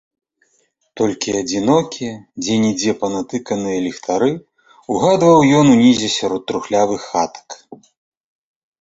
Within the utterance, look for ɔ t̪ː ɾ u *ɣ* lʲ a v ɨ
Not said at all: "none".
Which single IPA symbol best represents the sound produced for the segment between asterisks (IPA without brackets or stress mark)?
x